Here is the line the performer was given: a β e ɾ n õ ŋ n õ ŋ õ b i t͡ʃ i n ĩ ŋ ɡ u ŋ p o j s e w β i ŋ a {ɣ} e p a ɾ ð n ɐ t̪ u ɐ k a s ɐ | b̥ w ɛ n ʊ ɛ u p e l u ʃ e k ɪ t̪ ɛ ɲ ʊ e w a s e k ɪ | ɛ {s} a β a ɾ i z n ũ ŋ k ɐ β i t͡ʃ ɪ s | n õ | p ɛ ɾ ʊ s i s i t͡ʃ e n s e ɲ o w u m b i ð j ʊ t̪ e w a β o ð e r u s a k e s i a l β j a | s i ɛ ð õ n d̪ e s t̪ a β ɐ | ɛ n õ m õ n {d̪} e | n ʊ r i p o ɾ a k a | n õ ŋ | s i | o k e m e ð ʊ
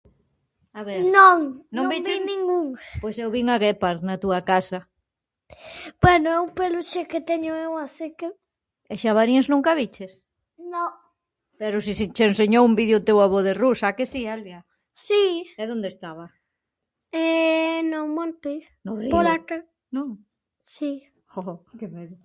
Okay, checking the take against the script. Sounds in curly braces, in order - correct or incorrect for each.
correct, incorrect, incorrect

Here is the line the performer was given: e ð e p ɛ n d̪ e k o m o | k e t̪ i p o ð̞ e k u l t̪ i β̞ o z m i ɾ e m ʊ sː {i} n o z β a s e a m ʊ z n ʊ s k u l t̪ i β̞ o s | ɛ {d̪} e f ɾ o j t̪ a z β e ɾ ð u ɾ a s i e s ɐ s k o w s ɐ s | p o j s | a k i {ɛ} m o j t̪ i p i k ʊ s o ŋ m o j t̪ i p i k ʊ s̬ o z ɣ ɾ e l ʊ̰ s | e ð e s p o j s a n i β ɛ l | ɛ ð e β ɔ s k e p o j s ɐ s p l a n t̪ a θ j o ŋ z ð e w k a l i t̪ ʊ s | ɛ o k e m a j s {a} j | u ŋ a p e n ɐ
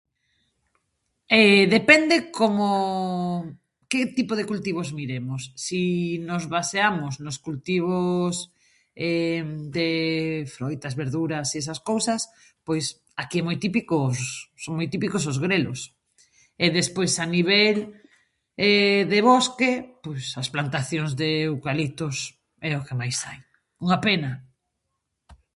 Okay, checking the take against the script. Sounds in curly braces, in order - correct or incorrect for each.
correct, correct, correct, correct

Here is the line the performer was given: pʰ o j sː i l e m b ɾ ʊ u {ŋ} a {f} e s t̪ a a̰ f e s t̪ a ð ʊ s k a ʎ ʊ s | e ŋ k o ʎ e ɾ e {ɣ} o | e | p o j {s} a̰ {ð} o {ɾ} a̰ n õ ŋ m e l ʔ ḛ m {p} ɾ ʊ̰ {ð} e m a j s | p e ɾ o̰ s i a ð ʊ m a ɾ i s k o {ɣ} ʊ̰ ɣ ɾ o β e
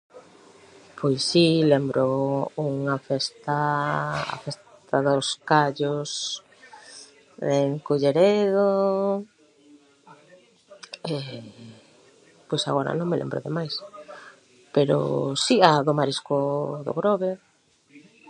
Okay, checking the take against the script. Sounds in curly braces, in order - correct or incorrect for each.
correct, correct, incorrect, correct, incorrect, correct, incorrect, correct, incorrect

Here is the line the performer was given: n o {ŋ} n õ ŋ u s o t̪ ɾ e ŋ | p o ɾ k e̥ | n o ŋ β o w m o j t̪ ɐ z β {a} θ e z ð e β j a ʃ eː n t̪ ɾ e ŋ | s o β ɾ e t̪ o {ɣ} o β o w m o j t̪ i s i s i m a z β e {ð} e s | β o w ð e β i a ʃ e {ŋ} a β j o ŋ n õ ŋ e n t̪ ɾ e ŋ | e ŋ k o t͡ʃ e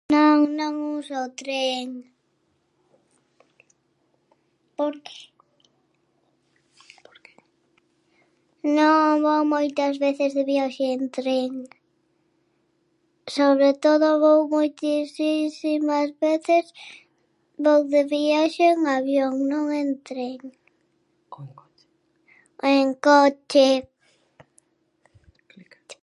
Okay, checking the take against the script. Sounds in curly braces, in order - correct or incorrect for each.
correct, incorrect, incorrect, incorrect, correct

